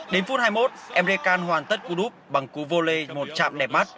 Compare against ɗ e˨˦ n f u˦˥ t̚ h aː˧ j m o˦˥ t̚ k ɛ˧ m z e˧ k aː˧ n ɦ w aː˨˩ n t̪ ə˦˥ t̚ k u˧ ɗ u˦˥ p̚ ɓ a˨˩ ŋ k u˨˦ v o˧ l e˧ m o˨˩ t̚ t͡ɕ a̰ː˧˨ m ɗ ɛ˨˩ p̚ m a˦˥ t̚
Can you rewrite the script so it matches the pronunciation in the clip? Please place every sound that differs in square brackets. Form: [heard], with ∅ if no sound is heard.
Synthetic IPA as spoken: ɗ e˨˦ n f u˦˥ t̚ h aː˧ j m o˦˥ t̚ [ʔ] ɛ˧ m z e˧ k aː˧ n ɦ w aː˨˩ n t̪ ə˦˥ t̚ k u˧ ɗ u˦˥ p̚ ɓ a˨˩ ŋ k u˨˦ v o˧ l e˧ m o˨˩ t̚ t͡ɕ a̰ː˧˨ m ɗ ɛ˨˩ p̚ m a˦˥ t̚